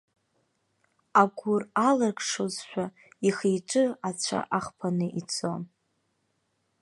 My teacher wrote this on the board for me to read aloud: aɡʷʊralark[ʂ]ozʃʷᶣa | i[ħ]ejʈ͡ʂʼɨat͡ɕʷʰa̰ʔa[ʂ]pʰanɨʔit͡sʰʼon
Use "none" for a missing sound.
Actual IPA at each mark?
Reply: ʂ, χ, χ

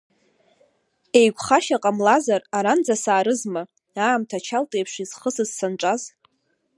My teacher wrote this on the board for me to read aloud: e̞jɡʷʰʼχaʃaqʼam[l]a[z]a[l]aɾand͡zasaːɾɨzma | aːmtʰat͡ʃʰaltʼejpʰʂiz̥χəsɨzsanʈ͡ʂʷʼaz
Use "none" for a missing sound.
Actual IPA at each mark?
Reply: l, z, r

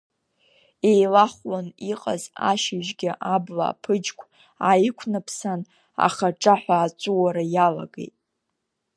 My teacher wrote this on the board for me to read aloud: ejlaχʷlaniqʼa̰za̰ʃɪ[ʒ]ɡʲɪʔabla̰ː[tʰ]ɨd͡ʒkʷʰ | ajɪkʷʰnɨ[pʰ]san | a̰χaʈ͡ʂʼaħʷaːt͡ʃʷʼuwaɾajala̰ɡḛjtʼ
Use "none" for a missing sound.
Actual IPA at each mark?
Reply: ʒ, pʰ, pʰ

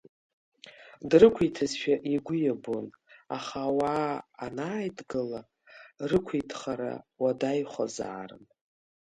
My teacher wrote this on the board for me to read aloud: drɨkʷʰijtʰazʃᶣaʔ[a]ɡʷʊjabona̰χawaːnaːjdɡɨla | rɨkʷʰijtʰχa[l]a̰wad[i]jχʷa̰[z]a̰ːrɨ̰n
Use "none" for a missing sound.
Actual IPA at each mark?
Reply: i, ɾ, a, z

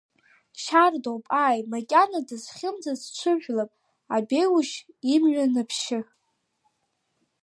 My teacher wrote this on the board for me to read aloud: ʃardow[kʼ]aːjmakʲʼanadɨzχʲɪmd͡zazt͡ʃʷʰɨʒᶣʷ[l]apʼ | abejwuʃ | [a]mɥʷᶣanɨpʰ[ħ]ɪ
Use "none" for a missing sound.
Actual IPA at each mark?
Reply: pʼ, l, i, ʃ

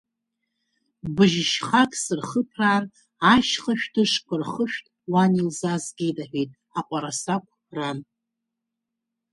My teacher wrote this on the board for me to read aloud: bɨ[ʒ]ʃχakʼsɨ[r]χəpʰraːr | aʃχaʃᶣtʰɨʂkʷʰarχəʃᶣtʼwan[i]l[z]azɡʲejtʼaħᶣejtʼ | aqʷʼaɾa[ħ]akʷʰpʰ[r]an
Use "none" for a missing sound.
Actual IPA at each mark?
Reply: ʒ, r, i, z, s, r

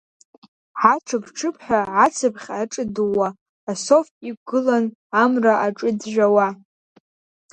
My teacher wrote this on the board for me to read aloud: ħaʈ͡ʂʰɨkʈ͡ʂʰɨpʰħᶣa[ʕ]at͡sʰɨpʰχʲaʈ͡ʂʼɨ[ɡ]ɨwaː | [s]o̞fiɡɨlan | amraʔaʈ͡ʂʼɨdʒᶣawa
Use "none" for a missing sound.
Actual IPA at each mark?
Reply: ʕ, d, s

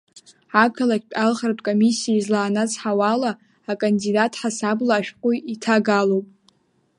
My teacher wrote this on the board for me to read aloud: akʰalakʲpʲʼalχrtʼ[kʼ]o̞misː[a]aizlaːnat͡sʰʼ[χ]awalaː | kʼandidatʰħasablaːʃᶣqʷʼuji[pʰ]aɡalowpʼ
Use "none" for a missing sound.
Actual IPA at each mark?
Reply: kʼ, i, ħ, tʰ

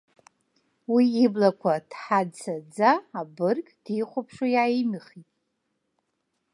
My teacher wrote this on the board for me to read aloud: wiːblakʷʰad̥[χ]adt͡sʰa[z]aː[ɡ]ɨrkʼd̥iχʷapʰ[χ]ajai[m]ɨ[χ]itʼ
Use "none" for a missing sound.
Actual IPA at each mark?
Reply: ħ, d͡z, b, ʂ, m, χ

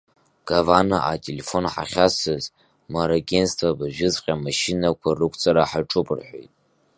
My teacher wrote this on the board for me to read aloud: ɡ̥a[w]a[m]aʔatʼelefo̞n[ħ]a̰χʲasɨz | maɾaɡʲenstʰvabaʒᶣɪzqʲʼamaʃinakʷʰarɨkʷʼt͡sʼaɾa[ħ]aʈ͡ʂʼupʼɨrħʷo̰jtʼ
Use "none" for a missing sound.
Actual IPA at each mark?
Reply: v, n, ħ, ħ

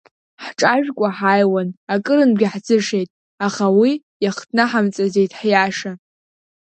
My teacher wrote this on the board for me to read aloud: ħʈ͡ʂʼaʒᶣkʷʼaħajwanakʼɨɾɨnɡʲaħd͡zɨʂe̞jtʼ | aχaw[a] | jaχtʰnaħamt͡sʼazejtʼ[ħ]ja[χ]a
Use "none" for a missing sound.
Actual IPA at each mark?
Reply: i, ħ, ʂ

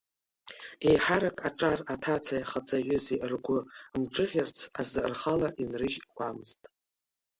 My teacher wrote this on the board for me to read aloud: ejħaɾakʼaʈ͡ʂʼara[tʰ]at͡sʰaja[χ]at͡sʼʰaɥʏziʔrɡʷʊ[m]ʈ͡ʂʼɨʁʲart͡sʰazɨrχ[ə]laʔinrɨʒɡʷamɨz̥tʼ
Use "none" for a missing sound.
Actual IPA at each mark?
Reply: tʰ, χ, m, a

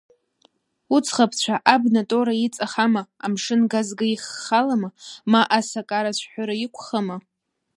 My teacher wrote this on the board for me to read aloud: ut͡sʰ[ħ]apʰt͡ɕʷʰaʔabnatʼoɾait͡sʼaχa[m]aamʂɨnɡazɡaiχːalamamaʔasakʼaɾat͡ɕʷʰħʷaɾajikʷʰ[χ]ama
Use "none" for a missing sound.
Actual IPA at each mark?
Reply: χ, m, χ

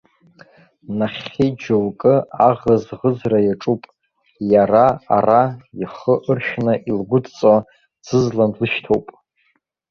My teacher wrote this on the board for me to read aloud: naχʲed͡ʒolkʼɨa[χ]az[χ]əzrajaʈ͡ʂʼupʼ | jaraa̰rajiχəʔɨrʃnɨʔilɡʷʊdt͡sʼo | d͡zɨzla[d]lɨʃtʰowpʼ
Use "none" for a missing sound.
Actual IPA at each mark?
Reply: ʁ, ʁ, n

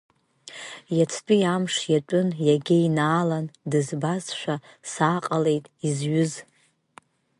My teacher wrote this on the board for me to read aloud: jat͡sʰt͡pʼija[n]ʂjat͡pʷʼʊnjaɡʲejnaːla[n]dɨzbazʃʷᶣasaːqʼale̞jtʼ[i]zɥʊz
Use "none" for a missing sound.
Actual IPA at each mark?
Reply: m, n, i

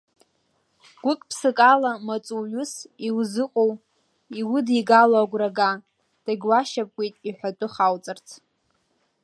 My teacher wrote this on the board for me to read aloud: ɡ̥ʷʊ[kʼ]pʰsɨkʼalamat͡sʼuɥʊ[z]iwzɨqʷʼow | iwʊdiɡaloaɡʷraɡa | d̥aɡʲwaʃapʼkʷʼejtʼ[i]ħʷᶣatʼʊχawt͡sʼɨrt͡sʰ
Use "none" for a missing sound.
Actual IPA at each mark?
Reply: kʼ, s, i

